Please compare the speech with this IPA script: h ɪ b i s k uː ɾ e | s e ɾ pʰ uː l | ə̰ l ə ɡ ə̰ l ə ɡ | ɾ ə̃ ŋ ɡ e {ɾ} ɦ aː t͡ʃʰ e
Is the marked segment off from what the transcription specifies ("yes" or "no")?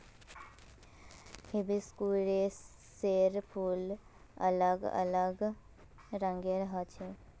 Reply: no